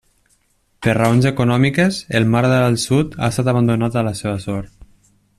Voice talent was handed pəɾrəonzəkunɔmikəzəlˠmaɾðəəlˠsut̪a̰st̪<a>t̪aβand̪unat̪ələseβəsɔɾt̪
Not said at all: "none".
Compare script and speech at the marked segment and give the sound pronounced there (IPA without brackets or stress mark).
a